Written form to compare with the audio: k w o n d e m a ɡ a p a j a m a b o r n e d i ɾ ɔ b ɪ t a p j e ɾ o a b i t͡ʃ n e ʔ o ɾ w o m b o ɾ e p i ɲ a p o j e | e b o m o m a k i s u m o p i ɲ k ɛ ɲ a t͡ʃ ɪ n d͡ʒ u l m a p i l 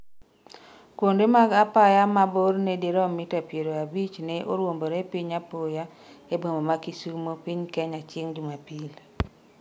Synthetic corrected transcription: k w o n d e m a ɡ a p a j a m a b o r n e d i ɾ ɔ m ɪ t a p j e ɾ o a b i t͡ʃ n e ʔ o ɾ w o m b o ɾ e p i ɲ a p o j a | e b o m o m a k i s u m o p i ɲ k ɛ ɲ a t͡ʃ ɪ ŋ d͡ʒ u m a p i l